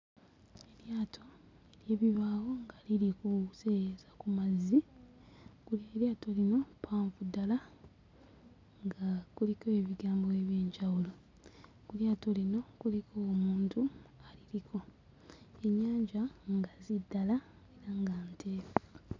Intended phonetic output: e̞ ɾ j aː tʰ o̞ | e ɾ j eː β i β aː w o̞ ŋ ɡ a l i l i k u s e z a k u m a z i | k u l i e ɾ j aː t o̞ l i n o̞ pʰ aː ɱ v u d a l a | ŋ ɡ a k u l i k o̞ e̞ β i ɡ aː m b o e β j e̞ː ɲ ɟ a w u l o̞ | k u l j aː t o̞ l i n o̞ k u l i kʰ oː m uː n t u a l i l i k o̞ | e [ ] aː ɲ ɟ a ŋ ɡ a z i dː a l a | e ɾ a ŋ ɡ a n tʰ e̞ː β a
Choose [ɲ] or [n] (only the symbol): ɲ